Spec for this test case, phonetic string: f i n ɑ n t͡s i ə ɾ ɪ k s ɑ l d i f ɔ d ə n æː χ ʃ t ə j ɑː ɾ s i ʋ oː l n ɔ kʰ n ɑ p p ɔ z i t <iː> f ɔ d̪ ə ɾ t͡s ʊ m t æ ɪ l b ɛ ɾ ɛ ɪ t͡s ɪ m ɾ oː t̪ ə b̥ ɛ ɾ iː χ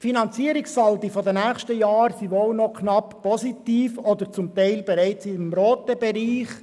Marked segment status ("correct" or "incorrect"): correct